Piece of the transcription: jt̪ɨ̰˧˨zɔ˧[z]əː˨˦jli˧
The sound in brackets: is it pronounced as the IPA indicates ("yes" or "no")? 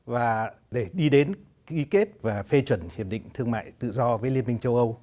no